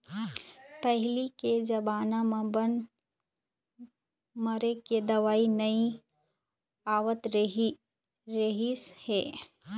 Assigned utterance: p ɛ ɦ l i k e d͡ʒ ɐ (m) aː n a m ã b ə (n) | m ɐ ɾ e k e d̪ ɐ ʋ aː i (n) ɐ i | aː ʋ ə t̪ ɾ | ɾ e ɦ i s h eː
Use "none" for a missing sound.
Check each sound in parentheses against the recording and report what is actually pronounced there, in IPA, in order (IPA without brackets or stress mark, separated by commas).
b, n, n